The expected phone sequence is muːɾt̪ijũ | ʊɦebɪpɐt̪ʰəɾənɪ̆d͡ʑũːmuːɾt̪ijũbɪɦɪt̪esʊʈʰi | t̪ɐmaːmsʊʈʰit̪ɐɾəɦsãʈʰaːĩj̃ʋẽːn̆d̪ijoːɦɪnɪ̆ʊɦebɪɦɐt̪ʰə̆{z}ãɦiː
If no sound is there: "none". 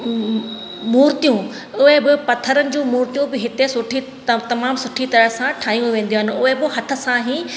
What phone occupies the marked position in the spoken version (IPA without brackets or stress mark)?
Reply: s